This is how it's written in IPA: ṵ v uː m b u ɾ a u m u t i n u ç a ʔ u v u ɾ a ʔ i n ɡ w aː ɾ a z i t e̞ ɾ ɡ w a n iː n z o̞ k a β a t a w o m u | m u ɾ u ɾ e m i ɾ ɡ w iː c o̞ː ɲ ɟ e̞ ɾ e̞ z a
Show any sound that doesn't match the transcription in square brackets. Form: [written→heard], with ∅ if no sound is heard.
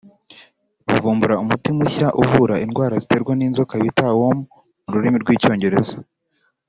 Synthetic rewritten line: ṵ v uː m b u ɾ a u m u t i [n→m] u ç a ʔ u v u ɾ a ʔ i n ɡ w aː ɾ a z i t e̞ ɾ ɡ w a n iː n z o̞ k a β [a→i] t a w o m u | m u ɾ u ɾ [e→i] m i ɾ ɡ w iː c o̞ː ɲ ɟ e̞ ɾ e̞ z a